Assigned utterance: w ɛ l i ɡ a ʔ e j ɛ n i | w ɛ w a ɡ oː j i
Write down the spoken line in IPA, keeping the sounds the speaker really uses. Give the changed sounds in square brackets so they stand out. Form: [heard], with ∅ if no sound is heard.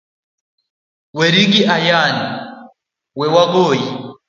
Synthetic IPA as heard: w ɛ [ɾ] i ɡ [i] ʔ [a] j [a] n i | w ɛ w a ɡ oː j i